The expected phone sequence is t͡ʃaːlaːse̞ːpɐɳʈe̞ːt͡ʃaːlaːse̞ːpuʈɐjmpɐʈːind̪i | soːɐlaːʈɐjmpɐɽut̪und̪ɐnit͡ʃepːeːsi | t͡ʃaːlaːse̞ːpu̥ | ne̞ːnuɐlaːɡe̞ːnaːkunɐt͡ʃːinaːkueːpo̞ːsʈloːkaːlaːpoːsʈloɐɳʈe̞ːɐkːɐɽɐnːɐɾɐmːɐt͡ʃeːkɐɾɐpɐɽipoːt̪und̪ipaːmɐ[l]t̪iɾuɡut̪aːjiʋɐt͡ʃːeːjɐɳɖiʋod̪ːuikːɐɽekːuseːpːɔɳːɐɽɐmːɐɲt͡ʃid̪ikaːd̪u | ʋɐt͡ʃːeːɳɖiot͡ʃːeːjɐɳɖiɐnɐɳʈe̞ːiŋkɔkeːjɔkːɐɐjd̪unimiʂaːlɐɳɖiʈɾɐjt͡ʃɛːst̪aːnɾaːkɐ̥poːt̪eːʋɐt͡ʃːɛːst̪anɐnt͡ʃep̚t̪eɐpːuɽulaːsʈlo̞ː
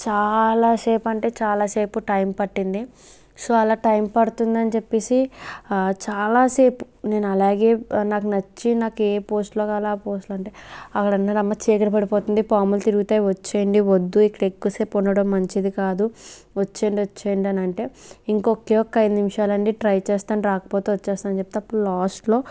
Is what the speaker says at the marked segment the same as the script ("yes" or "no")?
yes